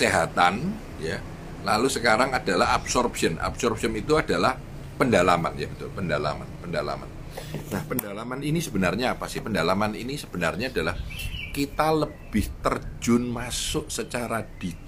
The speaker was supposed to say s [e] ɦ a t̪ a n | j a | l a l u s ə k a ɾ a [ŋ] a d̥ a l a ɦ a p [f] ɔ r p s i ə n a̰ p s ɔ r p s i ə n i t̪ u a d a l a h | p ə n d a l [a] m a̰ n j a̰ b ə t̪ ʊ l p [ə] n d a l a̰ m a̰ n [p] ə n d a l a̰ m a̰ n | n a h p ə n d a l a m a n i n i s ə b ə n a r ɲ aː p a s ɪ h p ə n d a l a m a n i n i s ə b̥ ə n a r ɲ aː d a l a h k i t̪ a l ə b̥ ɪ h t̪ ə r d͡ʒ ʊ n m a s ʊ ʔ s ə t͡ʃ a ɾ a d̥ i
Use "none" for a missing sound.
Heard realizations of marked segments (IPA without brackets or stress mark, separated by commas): e, ŋ, s, a, ə, p